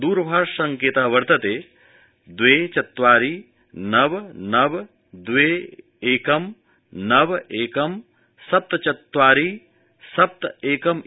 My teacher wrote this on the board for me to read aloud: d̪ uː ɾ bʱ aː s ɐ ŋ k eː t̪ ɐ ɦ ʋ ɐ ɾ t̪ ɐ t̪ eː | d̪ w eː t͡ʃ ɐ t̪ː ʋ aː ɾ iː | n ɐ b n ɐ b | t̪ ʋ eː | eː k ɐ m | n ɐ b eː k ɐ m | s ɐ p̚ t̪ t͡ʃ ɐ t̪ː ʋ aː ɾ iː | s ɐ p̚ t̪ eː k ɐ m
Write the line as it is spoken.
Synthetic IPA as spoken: d̪ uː ɾ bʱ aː s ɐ ŋ k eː t̪ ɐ ɦ ʋ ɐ ɾ t̪ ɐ t̪ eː | d̪ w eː t͡ʃ ɐ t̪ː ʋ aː ɾ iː | n ɐ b n ɐ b | d̪ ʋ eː | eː k ɐ m | n ɐ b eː k ɐ m | s ɐ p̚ t̪ t͡ʃ ɐ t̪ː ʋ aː ɾ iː | s ɐ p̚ t̪ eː k ɐ m